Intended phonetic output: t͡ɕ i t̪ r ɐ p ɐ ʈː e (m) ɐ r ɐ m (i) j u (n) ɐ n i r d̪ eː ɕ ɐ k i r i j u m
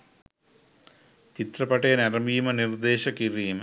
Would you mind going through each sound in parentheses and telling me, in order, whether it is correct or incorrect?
incorrect, correct, incorrect

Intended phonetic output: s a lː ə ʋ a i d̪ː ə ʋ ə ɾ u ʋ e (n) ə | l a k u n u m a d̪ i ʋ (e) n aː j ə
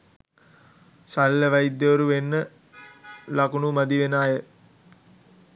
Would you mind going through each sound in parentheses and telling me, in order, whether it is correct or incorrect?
incorrect, correct

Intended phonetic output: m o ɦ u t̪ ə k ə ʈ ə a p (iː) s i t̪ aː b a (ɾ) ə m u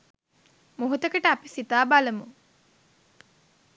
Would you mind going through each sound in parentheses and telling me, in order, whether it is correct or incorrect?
incorrect, incorrect

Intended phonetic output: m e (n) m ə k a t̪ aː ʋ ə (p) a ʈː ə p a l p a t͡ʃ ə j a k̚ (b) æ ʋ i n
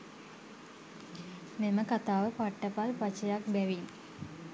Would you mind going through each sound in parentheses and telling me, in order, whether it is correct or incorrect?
incorrect, correct, correct

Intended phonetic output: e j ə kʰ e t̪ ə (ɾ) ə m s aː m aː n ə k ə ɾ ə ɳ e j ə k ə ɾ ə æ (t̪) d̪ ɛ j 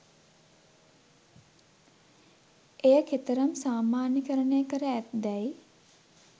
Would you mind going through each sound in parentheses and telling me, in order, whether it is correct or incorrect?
correct, correct

